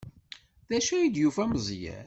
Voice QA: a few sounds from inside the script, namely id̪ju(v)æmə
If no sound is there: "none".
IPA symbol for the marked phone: f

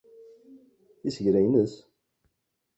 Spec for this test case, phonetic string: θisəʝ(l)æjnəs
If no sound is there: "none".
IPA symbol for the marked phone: ɾ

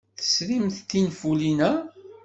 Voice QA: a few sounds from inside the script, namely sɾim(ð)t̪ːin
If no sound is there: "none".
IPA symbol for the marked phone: θ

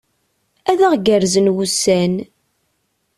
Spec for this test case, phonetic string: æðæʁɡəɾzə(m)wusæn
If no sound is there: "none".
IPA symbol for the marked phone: n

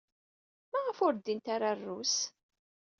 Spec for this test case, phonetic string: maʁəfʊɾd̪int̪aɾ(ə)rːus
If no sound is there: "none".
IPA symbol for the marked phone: a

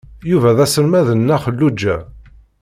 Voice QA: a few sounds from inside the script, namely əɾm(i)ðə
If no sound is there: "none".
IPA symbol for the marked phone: æ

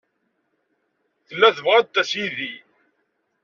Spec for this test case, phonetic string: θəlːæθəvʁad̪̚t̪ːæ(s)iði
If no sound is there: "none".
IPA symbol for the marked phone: s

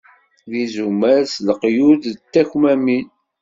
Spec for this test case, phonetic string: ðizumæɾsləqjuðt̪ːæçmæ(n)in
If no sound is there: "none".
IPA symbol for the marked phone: m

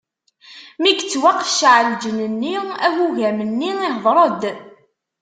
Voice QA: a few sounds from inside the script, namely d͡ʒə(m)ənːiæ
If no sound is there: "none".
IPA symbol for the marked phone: n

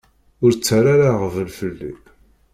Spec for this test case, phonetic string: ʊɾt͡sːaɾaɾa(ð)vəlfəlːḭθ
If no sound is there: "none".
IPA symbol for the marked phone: ʁ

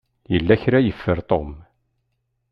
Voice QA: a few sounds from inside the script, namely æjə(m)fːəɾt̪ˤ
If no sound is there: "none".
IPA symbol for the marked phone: none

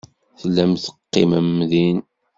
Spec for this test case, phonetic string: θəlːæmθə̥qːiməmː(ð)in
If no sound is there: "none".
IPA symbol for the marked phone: ð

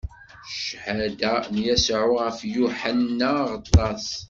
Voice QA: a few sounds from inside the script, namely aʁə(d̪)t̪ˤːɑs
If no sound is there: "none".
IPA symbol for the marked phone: none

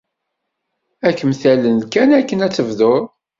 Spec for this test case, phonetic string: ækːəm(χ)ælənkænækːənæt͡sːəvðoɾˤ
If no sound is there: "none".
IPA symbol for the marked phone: θ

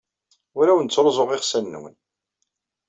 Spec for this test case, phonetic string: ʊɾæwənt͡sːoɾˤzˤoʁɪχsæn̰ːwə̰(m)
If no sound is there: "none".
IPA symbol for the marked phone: n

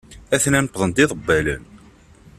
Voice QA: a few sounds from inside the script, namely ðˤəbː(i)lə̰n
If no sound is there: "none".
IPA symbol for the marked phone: æ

